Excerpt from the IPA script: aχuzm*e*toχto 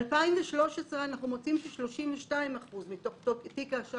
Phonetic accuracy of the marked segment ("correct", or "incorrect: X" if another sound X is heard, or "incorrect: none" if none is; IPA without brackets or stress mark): incorrect: i